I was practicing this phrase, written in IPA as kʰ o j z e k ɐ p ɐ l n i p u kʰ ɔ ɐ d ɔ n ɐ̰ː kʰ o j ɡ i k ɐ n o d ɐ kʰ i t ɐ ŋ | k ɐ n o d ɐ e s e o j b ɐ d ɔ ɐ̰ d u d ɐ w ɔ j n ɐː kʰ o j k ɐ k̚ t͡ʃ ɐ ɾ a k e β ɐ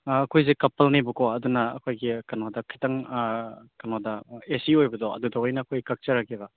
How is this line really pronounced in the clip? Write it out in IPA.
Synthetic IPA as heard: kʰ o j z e k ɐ p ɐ l n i b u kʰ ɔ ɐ d u n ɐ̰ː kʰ o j ɡ i k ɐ n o d ɐ kʰ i t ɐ ŋ | k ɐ n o d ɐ e s i o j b ɐ d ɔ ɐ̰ d u d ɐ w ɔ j n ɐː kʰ o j k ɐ k̚ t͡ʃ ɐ ɾ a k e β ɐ